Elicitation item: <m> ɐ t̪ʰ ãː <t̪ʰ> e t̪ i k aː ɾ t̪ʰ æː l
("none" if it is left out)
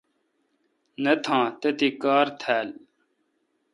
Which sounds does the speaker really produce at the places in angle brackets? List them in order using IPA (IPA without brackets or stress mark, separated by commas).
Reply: n, t̪